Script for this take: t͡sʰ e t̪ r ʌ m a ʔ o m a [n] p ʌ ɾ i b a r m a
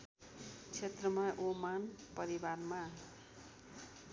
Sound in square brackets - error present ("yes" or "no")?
no